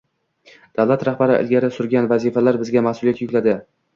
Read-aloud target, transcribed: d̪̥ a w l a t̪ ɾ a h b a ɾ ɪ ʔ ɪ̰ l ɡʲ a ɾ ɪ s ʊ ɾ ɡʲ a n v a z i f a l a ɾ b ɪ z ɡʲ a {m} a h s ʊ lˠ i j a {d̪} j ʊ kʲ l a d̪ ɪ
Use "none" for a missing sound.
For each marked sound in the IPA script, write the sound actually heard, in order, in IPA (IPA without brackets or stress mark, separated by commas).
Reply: m, t̪